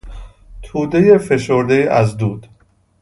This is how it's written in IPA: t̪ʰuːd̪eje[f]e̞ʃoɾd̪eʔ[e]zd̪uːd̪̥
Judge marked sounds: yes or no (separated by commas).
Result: yes, no